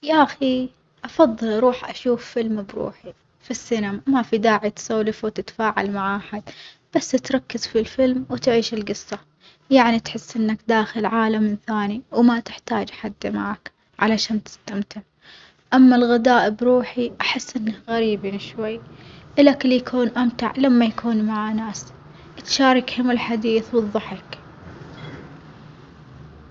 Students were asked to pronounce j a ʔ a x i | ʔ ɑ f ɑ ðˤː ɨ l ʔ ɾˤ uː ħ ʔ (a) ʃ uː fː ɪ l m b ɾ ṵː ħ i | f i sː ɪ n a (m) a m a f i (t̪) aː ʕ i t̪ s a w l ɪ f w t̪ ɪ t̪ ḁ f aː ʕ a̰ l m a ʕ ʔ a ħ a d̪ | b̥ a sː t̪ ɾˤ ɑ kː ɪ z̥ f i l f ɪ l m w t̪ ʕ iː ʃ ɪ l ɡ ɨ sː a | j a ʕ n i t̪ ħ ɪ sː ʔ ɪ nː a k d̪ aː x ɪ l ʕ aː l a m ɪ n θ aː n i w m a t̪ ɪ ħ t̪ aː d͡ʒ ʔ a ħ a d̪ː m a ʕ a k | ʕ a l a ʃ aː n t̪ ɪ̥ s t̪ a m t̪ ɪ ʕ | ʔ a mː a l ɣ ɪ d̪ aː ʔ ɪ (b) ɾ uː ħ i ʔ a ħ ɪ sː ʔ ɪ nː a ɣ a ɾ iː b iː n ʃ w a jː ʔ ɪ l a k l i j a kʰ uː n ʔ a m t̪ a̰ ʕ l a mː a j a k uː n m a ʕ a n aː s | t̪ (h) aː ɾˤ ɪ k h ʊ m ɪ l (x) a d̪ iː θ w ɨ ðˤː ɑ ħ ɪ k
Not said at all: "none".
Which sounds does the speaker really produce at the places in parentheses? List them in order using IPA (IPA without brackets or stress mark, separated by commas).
a, m, d̪, b, ʃ, ħ